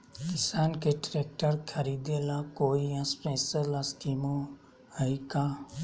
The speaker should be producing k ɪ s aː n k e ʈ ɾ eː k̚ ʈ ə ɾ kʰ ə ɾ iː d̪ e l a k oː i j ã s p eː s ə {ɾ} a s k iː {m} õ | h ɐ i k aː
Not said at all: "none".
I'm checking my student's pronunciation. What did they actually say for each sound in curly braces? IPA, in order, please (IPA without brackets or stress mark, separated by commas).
l, m